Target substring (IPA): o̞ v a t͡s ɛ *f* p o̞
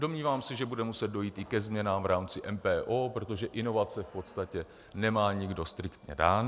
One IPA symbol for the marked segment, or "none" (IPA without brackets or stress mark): f